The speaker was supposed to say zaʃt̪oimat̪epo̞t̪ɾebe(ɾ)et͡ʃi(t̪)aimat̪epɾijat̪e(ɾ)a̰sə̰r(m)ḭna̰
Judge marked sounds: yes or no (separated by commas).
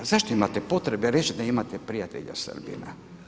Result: yes, no, no, no